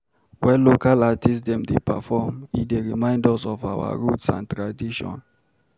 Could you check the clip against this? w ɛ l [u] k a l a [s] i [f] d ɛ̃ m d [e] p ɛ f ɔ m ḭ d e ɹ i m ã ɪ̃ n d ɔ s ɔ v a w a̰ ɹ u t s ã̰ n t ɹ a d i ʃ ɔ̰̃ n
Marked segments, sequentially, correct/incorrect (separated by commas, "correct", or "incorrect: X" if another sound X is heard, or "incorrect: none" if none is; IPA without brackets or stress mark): incorrect: o, incorrect: t, incorrect: s, correct